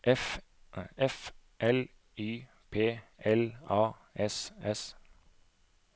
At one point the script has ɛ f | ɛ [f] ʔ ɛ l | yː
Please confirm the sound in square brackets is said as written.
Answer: yes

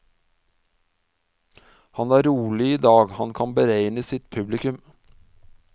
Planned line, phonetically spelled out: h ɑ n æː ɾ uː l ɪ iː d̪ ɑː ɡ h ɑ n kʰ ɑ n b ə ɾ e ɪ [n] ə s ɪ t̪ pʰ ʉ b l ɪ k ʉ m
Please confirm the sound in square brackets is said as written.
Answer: yes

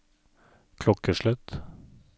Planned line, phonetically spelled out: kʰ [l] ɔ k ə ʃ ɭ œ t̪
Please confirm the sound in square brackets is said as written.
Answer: yes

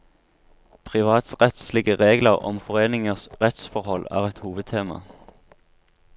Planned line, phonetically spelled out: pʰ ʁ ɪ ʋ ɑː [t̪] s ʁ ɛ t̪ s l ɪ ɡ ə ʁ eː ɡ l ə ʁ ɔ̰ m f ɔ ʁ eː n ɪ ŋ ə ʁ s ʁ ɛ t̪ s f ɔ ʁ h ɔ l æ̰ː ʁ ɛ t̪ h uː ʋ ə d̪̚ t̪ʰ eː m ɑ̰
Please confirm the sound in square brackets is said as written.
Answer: yes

